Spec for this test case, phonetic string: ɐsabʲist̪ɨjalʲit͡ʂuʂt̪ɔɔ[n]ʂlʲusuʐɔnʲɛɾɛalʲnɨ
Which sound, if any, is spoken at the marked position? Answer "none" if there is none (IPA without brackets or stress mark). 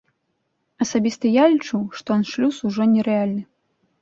n